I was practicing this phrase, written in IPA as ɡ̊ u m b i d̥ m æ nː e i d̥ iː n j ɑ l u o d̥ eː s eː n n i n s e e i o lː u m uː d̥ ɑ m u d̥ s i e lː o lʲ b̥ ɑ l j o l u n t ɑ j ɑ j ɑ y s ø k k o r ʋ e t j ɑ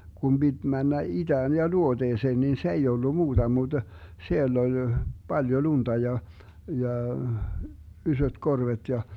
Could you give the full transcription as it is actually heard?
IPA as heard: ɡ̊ u m b i d̥ m æ nː æ i d̥ æː n j ɑ l u o d̥ eː s eː n n i n s e e i o lː u m uː d̥ ɑ m u d̥ s i e lː o lʲ b̥ ɑ l j o l u n t ɑ j ɑ j ɑ y s ø t k o r ʋ e t j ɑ